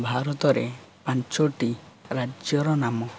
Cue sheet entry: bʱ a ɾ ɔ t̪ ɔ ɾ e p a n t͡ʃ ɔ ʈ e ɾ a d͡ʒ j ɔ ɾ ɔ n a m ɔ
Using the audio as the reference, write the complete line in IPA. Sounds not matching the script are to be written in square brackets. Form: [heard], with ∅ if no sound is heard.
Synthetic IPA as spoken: bʱ a ɾ ɔ t̪ ɔ ɾ e p a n t͡ʃ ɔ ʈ [i] ɾ a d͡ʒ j ɔ ɾ ɔ n a m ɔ

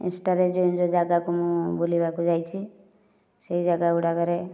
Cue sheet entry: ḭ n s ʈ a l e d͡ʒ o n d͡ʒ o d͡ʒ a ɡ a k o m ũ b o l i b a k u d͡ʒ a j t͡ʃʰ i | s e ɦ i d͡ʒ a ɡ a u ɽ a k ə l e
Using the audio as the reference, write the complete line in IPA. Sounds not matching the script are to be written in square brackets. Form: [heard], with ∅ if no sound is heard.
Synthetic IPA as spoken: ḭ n s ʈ a [ɾ] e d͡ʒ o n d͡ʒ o d͡ʒ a ɡ a k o m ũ b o l i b a k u d͡ʒ a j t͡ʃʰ i | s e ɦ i d͡ʒ a ɡ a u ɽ a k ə [ɾ] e

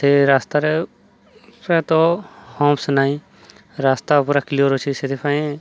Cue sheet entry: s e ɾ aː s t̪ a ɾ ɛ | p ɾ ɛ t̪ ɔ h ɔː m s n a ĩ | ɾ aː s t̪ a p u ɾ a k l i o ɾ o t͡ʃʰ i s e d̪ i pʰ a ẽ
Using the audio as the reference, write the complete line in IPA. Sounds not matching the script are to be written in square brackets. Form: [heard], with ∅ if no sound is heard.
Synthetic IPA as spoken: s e ɾ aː s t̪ a ɾ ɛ | p ɾ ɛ t̪ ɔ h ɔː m s n a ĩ | ɾ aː s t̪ a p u ɾ a k l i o ɾ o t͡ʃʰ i s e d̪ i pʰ a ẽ

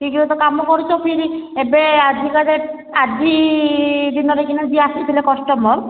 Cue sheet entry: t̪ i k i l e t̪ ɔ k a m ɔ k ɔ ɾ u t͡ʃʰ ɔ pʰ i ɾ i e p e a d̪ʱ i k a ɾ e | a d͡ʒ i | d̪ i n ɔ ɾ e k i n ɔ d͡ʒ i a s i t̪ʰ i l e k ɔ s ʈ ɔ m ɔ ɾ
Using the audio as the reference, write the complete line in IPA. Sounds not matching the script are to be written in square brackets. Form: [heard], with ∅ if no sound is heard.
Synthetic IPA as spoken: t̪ i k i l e t̪ ɔ k a m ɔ k ɔ ɾ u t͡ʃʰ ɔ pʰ i ɾ i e [b] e a d̪ʱ i k a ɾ e | a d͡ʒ i | d̪ i n ɔ ɾ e k i n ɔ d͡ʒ i a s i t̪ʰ i l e k ɔ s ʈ ɔ m ɔ ɾ

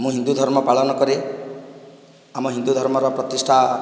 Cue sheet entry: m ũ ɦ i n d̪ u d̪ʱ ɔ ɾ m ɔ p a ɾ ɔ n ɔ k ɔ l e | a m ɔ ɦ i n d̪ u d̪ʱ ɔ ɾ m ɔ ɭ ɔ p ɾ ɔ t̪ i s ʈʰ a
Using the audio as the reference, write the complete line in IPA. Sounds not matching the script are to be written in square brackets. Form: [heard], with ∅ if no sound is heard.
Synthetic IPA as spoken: m ũ ɦ i n d̪ u d̪ʱ ɔ ɾ m ɔ p a [ɭ] ɔ n ɔ k ɔ [ɾ] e | a m ɔ ɦ i n d̪ u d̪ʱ ɔ ɾ m ɔ [ɾ] ɔ p ɾ ɔ t̪ i s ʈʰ a

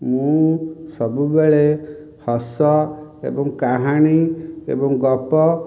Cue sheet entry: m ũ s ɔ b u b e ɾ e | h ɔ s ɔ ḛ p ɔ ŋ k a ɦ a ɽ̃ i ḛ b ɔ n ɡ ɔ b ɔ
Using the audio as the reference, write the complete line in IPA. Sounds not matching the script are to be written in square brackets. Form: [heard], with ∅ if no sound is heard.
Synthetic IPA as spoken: m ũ s ɔ b u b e [ɭ] e | h ɔ s ɔ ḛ [b] ɔ ŋ k a ɦ a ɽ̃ i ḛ b ɔ [ŋ] ɡ ɔ [p] ɔ

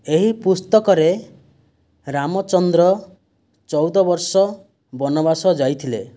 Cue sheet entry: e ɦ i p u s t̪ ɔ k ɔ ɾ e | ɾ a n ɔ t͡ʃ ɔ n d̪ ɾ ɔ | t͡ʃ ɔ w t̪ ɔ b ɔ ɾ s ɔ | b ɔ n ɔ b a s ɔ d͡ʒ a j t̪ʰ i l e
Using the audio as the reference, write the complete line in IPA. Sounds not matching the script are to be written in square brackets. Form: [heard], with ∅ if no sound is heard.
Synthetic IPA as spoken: e ɦ i p u s t̪ ɔ k ɔ ɾ e | ɾ a [m] ɔ t͡ʃ ɔ n d̪ ɾ ɔ | t͡ʃ ɔ w [d̪] ɔ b ɔ ɾ s ɔ | b ɔ n ɔ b a s ɔ d͡ʒ a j t̪ʰ i l e

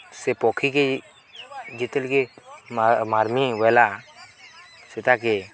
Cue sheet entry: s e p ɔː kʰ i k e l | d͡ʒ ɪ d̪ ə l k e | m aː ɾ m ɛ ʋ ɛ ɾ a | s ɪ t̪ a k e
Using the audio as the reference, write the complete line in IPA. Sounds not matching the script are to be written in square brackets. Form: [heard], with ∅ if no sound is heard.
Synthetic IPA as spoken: s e p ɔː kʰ i k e [∅] | d͡ʒ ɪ [t̪] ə l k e | m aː ɾ m [i] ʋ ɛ [l] a | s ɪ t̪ a k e

